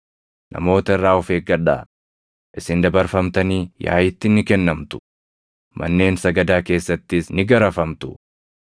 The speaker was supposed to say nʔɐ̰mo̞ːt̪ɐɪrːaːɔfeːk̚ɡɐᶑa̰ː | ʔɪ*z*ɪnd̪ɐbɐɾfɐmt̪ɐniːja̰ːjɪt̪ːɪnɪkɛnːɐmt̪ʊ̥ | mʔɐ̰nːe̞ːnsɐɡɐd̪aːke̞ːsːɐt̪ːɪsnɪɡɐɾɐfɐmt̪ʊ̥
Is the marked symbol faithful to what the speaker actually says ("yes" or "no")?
no